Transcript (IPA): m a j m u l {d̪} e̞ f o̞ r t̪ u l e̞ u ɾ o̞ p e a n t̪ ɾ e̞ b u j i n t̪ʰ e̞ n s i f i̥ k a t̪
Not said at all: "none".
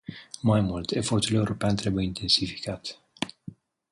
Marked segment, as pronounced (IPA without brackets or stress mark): t̪